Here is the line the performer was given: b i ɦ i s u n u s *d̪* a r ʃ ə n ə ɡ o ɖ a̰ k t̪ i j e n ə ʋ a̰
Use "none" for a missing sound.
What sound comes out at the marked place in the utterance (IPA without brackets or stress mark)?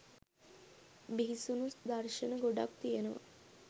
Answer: d̪